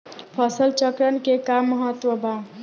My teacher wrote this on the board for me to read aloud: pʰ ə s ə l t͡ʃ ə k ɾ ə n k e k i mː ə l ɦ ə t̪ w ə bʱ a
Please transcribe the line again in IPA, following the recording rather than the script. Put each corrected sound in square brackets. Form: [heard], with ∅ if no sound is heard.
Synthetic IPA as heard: pʰ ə s ə l t͡ʃ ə k ɾ ə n k e k [a] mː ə [∅] ɦ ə t̪ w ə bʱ a

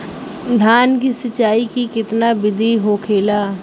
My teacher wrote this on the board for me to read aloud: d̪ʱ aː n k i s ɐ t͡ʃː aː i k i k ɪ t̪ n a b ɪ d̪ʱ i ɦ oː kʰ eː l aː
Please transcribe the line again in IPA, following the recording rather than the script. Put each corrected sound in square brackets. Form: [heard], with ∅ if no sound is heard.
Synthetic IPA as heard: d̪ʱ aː n k i s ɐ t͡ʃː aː i k i k ɪ t̪ n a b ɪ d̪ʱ i ɦ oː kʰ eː l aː

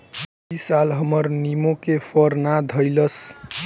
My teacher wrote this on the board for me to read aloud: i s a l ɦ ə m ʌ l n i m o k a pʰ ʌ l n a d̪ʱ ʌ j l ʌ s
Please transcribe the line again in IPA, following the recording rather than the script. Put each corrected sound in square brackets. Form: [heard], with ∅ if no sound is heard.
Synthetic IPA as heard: i s a l ɦ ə m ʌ [ɾ] n i m o k [e] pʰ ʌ [ɾ] n a d̪ʱ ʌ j l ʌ s

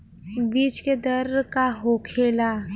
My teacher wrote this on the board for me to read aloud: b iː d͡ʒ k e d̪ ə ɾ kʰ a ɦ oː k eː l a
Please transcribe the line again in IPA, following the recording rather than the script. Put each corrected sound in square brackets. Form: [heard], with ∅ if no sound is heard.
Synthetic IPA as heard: b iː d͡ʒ k e d̪ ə ɾ [k] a ɦ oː [kʰ] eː l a

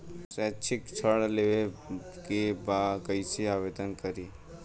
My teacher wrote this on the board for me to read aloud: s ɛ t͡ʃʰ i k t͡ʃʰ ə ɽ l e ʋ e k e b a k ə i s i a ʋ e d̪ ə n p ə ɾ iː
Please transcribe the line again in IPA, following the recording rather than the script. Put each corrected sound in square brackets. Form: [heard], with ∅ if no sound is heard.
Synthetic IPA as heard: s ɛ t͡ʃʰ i k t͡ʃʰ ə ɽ l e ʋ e k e b a k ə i s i a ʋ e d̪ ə n [k] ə ɾ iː

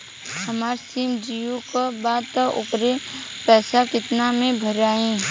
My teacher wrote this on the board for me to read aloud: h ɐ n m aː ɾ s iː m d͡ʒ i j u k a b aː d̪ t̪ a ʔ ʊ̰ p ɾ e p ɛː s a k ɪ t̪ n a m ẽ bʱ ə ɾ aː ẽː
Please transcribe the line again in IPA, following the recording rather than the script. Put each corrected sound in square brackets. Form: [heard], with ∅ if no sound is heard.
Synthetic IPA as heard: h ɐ [∅] m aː ɾ s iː m d͡ʒ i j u k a b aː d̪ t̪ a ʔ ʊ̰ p ɾ e p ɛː s a k ɪ t̪ n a m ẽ bʱ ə ɾ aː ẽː

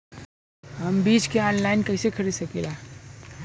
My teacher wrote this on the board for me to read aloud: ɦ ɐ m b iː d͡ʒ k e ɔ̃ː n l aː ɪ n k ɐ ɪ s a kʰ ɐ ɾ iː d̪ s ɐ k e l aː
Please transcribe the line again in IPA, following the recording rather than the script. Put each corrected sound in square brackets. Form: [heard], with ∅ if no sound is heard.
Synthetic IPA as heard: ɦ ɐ m b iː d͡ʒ k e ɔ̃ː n l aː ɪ n k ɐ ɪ s [e] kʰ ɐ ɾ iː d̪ s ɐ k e l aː

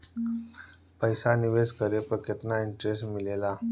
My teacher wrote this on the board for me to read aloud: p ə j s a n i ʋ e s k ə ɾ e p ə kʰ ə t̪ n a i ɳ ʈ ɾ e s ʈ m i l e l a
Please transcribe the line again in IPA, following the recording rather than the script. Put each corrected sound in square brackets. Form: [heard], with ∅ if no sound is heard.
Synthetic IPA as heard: p ə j s a n i ʋ e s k ə ɾ e p ə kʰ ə t̪ n a i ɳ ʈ ɾ e s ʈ m i l e l a

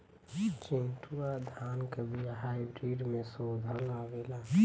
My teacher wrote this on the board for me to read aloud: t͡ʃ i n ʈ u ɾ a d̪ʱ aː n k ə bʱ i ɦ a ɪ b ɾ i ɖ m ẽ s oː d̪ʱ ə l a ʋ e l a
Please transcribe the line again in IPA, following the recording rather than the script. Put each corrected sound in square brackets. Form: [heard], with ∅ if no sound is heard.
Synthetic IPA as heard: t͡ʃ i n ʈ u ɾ a d̪ʱ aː n k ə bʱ i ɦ a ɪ b ɾ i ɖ m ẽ s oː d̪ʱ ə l a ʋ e l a

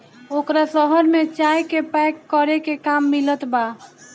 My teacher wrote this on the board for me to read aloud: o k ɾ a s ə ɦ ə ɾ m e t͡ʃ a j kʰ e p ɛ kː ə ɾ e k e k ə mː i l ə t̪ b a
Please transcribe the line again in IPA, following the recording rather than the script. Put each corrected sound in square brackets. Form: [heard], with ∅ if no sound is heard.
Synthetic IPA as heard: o k ɾ a s ə ɦ ə ɾ m e t͡ʃ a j [k] e p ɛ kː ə ɾ e k e k [a] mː i l ə t̪ b a

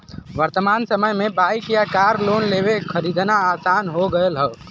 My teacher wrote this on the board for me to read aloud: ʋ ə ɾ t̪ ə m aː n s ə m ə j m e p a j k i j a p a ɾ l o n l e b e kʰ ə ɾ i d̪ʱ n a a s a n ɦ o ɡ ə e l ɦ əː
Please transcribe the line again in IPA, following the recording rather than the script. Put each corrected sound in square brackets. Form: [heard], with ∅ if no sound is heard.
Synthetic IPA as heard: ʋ ə ɾ t̪ ə m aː n s ə m ə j m e [b] a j k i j a [k] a ɾ l o n l e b e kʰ ə ɾ i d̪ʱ n a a s a n ɦ o ɡ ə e l ɦ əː

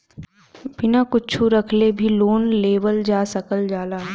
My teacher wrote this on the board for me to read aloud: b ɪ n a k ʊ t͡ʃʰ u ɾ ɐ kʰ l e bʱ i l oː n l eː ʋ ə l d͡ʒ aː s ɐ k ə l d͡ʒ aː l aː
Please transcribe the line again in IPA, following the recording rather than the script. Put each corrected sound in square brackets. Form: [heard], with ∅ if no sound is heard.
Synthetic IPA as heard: b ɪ n a k ʊ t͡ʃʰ u ɾ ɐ kʰ l e bʱ i l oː n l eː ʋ ə l d͡ʒ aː s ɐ k ə l d͡ʒ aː l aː

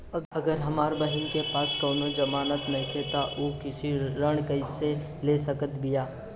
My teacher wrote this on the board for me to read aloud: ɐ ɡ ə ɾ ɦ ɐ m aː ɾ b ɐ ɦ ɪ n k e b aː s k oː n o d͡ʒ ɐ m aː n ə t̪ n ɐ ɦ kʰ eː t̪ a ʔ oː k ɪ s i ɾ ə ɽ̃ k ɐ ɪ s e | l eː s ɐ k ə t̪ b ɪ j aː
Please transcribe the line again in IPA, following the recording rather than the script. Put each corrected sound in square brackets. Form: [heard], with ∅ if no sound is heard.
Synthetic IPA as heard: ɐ ɡ ə ɾ ɦ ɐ m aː ɾ b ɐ ɦ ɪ n k e [p] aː s k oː n o d͡ʒ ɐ m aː n ə t̪ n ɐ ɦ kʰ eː t̪ a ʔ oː k ɪ s i ɾ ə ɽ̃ k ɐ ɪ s e | l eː s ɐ k ə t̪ b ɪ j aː

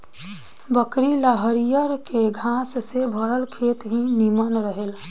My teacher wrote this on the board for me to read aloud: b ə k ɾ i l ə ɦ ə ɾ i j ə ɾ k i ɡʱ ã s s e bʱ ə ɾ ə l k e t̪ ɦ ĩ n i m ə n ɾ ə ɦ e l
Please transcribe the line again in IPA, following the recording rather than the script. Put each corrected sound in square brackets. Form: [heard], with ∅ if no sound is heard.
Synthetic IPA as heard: b ə k ɾ i l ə ɦ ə ɾ i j ə ɾ k [e] ɡʱ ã s s e bʱ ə ɾ ə l [kʰ] e t̪ ɦ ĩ n i m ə n ɾ ə ɦ e l

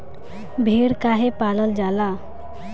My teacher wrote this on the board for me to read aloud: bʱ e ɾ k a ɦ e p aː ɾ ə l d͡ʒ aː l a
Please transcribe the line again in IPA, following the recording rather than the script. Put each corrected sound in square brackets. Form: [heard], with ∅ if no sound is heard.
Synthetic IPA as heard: bʱ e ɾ k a ɦ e p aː [l] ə l d͡ʒ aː l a

